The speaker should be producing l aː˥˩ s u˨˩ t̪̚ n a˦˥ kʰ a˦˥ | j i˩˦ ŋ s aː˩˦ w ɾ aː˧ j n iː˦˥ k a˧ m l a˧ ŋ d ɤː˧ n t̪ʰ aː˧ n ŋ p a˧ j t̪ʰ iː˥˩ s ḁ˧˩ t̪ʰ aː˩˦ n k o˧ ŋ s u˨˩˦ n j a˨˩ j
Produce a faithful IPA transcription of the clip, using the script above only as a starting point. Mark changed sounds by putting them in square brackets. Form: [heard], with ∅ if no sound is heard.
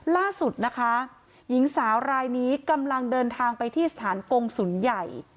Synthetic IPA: l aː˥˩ s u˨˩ t̪̚ n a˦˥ kʰ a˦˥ | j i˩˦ ŋ s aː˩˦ w ɾ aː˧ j n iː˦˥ k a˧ m l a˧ ŋ d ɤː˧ n t̪ʰ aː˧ [∅] ŋ p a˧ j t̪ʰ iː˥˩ s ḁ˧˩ t̪ʰ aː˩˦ n k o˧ ŋ s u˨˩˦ n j a˨˩ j